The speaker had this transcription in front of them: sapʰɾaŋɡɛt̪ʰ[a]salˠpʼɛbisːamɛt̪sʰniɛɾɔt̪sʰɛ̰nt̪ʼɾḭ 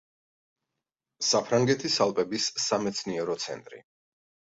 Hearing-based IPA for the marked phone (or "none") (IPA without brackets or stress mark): i